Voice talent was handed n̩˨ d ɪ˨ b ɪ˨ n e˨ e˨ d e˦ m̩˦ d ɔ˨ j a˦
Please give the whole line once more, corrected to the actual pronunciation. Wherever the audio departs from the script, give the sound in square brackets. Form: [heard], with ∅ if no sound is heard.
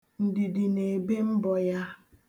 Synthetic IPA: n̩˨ d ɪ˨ [d] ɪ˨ n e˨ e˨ [b] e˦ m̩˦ [b] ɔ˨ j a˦

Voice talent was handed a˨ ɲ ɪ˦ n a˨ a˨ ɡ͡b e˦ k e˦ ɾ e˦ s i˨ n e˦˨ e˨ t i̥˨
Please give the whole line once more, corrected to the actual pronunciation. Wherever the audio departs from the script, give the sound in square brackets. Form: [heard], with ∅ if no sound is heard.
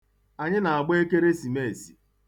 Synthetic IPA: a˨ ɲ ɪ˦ n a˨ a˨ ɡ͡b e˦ k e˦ ɾ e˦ s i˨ [m] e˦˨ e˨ [s] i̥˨

